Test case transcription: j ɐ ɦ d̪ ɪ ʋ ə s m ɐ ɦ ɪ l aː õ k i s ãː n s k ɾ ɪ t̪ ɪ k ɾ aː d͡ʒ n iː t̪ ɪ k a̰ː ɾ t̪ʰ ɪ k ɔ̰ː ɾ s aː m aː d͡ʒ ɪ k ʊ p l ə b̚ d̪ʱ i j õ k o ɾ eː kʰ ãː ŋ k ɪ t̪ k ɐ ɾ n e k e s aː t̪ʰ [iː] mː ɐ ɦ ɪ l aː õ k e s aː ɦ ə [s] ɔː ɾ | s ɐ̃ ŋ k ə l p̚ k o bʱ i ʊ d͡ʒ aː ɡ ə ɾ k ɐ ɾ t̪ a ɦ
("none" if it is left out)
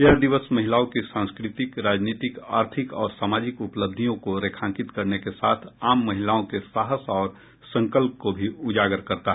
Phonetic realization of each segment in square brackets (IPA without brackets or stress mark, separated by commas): aː, s